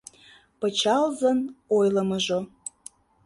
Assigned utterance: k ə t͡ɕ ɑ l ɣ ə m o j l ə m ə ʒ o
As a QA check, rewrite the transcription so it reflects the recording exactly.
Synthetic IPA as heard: p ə t͡ɕ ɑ l z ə n o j l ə m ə ʒ o